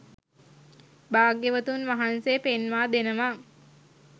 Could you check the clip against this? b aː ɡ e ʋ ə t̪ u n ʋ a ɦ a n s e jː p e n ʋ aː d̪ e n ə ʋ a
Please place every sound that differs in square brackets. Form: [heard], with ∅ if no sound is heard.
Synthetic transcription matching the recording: b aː ɡ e ʋ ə t̪ u n ʋ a ɦ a n s e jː p e n ʋ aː d̪ e n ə ʋ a